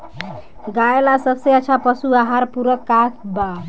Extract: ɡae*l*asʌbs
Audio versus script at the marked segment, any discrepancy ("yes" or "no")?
no